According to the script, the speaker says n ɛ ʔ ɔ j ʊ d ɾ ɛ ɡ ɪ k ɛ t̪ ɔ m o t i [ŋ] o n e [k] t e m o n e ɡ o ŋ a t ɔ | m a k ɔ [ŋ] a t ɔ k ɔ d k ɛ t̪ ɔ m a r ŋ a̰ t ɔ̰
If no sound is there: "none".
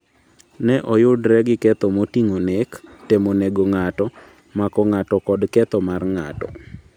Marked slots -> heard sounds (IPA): ŋ, k, ŋ

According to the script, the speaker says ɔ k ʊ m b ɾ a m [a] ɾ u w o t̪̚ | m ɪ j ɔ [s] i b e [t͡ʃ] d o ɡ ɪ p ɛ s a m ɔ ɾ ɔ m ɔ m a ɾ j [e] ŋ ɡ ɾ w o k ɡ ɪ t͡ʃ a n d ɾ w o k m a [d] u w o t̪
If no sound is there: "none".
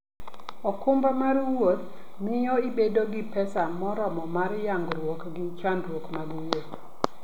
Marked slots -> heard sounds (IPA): a, none, none, a, ɡ

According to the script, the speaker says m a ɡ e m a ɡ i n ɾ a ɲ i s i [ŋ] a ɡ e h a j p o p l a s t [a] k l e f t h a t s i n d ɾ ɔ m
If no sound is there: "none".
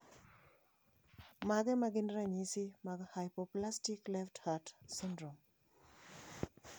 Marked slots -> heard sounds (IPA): m, i

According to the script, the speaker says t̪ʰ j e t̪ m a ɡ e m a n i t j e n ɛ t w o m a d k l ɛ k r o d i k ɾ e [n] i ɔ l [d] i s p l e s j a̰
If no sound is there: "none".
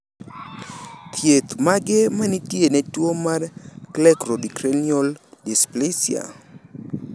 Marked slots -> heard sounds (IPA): n, d

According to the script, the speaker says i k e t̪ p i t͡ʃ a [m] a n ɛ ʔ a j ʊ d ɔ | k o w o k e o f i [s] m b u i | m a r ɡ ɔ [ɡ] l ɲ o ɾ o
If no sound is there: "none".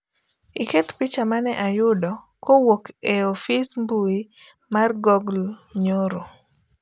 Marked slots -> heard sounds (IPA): m, s, ɡ

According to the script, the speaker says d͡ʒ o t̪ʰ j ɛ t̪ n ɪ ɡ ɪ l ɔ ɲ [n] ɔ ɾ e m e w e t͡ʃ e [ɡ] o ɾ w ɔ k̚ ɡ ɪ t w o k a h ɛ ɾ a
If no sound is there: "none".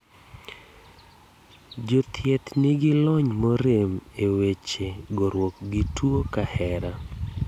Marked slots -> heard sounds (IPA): m, ɡ

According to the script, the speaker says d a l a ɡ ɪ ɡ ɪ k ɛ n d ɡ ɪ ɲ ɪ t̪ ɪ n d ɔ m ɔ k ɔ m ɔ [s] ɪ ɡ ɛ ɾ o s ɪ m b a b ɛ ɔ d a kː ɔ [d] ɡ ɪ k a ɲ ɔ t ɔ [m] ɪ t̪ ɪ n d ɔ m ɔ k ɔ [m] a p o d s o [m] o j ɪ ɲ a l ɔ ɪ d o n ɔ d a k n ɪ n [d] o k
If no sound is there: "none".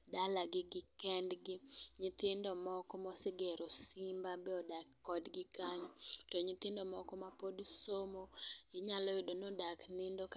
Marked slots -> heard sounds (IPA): s, d, ɲ, m, m, d

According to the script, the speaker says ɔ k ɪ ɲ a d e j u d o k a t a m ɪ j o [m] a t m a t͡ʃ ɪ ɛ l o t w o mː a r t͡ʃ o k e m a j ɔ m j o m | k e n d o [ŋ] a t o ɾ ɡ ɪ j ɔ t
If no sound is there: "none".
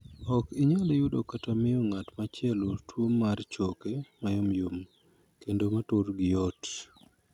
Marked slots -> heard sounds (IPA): ŋ, m

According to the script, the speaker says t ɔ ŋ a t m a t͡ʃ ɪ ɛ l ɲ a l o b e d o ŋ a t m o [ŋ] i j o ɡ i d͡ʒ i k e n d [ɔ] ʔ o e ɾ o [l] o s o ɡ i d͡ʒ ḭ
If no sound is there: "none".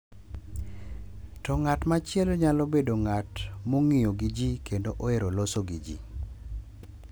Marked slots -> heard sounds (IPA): ŋ, o, l

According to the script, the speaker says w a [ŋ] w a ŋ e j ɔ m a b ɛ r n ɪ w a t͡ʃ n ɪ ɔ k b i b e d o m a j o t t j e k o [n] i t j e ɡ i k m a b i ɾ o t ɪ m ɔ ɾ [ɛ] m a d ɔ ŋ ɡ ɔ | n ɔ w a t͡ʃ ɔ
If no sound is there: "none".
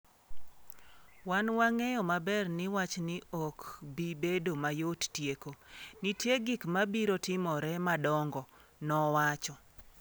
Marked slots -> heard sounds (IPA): n, n, ɛ

